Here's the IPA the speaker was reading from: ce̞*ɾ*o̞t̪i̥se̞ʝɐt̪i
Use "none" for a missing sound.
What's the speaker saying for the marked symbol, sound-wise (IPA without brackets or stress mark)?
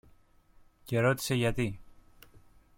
ɾ